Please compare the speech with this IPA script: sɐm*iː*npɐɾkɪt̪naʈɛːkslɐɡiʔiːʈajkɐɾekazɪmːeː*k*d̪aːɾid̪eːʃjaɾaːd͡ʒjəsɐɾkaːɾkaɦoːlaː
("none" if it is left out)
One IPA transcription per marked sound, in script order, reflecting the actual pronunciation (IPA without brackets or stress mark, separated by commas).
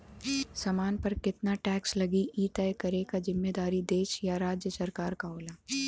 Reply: aː, none